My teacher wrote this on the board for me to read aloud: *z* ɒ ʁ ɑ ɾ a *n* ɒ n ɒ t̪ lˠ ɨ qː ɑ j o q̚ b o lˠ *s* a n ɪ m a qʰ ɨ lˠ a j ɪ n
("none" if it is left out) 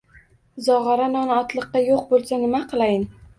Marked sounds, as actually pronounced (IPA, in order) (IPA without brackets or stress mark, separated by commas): z, n, s